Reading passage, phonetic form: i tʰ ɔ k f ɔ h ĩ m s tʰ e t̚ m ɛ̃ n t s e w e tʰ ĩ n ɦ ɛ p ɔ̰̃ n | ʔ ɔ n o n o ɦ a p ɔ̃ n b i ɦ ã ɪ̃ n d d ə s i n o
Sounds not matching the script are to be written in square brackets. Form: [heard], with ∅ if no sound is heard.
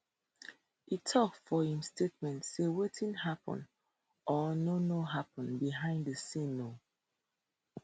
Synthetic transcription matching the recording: i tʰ ɔ k f ɔ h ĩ m s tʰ e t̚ m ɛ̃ n t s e w e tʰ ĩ n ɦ [a] p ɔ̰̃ n | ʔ ɔ n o n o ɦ a p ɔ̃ n b i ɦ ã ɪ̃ n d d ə s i n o